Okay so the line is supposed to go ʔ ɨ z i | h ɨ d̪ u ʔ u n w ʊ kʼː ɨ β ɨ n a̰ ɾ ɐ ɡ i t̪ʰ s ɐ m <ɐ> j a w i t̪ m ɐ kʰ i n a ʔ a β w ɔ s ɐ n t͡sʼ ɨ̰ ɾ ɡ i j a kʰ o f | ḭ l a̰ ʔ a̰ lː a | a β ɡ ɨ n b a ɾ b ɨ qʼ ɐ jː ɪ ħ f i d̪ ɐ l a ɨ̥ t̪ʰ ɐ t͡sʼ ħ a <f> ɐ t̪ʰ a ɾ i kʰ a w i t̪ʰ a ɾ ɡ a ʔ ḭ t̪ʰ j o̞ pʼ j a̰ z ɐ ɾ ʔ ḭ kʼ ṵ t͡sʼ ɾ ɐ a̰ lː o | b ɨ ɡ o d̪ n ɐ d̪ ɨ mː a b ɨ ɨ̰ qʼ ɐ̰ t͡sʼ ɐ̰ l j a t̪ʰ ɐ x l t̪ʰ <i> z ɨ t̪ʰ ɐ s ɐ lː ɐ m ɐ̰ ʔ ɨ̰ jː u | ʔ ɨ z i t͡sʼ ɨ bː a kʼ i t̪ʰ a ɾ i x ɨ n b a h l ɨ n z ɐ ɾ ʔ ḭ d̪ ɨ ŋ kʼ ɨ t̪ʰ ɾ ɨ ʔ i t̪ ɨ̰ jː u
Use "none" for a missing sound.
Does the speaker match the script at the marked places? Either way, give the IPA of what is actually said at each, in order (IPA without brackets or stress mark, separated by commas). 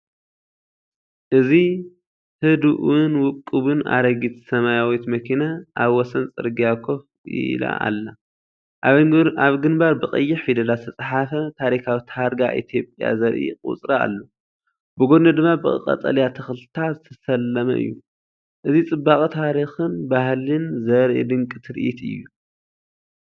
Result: a, f, a